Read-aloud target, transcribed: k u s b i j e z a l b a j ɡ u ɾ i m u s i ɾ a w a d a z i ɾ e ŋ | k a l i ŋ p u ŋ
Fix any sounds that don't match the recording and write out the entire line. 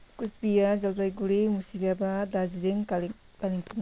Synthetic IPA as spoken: k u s b i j a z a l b a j ɡ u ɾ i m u s i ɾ a b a d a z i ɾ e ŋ | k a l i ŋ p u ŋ